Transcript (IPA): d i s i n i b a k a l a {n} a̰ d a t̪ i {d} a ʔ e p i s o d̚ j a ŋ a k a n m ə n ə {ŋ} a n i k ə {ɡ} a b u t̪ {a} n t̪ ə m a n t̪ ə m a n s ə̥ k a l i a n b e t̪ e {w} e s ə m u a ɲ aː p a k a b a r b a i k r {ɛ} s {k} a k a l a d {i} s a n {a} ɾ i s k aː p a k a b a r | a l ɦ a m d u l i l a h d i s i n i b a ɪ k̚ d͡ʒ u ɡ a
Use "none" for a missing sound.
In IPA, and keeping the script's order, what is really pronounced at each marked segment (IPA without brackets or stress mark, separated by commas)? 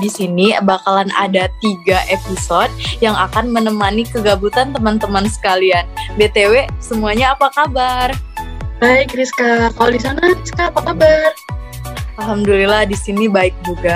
n, ɡ, m, ɡ, a, w, i, k, i, a